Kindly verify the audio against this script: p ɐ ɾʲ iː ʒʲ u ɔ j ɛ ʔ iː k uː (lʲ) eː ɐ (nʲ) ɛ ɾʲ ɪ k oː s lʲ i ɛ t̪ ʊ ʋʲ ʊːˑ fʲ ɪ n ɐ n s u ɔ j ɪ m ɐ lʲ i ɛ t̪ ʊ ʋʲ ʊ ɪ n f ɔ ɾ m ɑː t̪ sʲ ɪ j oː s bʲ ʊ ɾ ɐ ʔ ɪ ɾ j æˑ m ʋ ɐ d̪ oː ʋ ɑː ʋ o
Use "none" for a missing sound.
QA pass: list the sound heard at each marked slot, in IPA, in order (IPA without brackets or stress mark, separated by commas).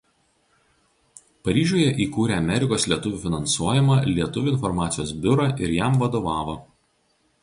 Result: ɾʲ, mʲ